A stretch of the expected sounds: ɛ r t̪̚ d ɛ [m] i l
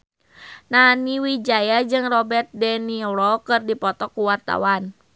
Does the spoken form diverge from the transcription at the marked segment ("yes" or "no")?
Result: yes